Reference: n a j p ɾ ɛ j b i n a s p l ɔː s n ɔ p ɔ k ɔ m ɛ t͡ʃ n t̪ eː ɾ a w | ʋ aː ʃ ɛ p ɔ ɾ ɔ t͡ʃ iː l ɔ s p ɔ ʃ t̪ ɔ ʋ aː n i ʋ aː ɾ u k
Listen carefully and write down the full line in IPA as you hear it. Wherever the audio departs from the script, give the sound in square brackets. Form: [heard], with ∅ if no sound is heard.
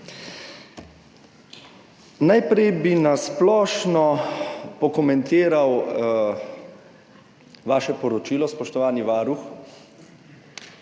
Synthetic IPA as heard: n a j p ɾ ɛ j b i n a s p l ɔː [ʃ] n ɔ p ɔ k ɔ m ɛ [∅] n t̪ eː ɾ a w | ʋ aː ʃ ɛ p ɔ ɾ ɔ t͡ʃ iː l ɔ s p ɔ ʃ t̪ ɔ ʋ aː n i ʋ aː ɾ u [x]